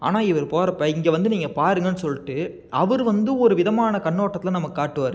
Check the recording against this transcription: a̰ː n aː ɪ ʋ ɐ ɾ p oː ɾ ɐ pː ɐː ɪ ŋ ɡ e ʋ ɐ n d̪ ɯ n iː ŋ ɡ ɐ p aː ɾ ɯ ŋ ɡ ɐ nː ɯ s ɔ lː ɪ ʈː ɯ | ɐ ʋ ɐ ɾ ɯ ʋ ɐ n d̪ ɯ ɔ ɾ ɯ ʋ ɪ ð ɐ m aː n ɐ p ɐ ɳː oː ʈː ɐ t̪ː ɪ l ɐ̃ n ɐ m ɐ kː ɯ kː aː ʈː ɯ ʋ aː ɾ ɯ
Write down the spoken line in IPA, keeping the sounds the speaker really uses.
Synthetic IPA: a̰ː n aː ɪ ʋ ɐ ɾ p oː ɾ ɐ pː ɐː ɪ ŋ ɡ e ʋ ɐ n d̪ ɯ n iː ŋ ɡ ɐ p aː ɾ ɯ ŋ ɡ ɐ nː ɯ s ɔ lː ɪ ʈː ɯ | ɐ ʋ ɐ ɾ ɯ ʋ ɐ n d̪ ɯ ɔ ɾ ɯ ʋ ɪ ð ɐ m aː n ɐ k ɐ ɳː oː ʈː ɐ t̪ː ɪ l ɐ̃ n ɐ m ɐ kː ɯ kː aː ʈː ɯ ʋ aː ɾ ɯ